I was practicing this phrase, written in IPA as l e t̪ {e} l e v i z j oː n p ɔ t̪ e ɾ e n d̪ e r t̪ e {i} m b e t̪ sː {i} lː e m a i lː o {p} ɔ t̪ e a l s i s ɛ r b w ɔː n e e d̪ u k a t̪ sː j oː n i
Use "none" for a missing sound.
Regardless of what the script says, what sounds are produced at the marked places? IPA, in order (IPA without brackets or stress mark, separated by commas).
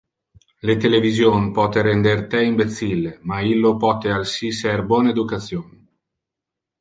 e, i, i, p